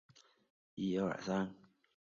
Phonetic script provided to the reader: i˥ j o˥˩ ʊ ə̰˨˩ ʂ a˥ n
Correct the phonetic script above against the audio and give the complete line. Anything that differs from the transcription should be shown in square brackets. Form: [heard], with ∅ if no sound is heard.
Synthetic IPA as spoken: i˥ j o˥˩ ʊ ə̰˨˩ [s] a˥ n